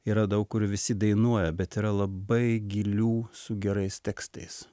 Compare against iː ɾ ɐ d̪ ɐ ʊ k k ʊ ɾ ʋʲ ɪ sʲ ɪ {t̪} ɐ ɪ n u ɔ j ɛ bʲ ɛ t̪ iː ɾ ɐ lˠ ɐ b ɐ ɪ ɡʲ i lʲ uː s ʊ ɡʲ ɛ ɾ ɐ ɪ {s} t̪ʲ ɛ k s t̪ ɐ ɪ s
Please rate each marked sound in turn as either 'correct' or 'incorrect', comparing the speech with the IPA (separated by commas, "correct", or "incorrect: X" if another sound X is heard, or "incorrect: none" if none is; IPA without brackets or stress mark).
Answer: incorrect: d̪, correct